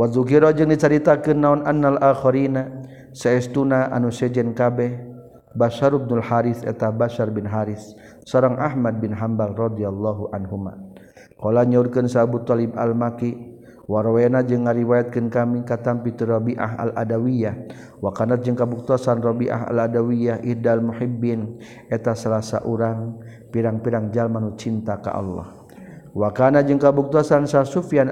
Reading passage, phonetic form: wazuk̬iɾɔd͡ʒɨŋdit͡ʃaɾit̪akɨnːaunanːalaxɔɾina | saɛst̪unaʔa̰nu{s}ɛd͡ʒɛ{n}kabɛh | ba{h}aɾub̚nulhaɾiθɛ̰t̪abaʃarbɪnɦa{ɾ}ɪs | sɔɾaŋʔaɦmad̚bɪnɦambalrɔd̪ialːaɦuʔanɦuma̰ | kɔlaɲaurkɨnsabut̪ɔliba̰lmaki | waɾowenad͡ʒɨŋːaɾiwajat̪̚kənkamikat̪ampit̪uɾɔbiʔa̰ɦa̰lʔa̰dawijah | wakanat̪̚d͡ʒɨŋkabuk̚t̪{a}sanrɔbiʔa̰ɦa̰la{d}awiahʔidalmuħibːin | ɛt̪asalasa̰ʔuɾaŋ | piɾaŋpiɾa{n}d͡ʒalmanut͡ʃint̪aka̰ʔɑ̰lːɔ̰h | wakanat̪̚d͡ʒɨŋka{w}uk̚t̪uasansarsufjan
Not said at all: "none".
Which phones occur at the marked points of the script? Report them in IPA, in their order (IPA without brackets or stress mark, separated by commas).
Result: s, n, ʃ, ɾ, a, d, ŋ, b